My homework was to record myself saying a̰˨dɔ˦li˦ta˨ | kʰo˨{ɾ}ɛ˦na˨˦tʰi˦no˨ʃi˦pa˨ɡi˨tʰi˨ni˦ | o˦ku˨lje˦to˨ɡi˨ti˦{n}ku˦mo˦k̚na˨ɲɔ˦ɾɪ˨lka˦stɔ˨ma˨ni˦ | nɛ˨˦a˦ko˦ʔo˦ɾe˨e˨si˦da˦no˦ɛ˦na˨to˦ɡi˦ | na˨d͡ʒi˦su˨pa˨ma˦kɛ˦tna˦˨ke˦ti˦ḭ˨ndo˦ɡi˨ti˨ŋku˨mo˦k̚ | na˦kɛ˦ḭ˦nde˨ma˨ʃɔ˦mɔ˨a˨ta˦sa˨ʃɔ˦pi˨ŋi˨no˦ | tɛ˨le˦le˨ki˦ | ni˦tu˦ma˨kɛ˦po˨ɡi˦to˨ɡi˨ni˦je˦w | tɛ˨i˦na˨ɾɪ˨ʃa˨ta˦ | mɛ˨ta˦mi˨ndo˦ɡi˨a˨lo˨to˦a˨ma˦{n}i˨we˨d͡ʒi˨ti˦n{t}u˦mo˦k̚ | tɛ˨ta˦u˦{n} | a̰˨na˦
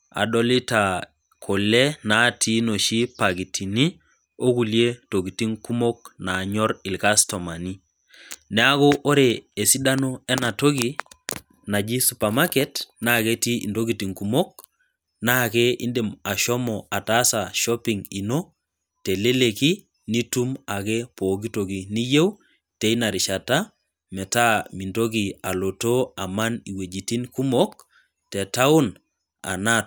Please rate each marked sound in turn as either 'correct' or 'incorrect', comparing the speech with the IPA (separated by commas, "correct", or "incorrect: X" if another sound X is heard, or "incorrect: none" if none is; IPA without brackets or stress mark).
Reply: incorrect: l, incorrect: ŋ, correct, incorrect: k, correct